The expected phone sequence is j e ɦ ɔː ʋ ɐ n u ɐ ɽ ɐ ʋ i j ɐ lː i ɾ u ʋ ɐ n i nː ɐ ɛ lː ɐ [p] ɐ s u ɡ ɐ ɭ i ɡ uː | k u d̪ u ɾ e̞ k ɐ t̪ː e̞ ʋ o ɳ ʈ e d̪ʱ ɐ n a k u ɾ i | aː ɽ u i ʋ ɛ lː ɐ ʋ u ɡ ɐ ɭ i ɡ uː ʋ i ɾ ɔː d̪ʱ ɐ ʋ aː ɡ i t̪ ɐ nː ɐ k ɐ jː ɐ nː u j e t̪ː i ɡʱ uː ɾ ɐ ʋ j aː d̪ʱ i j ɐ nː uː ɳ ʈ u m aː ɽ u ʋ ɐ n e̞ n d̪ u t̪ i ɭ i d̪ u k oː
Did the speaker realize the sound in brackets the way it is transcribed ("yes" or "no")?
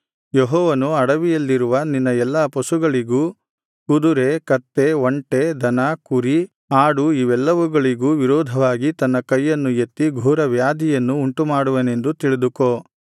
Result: yes